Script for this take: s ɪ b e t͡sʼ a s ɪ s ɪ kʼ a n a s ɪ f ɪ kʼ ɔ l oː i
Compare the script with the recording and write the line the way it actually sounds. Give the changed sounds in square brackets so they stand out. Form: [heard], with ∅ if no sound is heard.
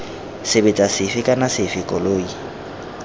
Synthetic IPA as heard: s ɪ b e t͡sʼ a s ɪ [f] ɪ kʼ a n a s ɪ f ɪ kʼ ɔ l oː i